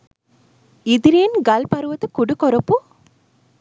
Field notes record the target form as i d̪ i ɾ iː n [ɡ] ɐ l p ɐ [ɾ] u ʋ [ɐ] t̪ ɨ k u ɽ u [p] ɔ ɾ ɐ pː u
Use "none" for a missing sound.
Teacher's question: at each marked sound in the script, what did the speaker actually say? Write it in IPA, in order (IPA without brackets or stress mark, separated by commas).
ɡ, ɾ, ɐ, k